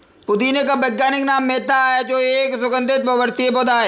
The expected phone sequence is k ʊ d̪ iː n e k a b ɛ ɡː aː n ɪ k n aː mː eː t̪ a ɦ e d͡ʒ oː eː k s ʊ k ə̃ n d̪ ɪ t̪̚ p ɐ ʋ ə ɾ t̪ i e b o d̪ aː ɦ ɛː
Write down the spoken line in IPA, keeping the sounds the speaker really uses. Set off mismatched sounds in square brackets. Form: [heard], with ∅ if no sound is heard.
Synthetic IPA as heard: [p] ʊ d̪ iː n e k a b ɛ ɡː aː n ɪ k n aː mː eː t̪ a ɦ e d͡ʒ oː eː k s ʊ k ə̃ n d̪ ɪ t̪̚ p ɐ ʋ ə ɾ t̪ i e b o d̪ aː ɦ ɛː